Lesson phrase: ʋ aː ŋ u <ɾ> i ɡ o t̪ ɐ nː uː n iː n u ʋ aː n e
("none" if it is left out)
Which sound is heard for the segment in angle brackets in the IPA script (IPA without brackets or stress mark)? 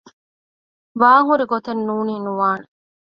ɾ